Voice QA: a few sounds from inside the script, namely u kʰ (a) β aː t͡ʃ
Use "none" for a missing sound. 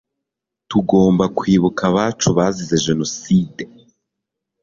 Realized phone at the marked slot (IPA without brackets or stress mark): a